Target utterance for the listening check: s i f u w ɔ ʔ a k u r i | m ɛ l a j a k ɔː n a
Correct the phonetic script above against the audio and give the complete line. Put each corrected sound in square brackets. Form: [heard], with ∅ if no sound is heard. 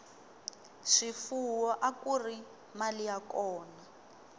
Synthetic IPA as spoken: [ʂ] i f u w ɔ ʔ a k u r i | m [a] l [i] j a k ɔː n a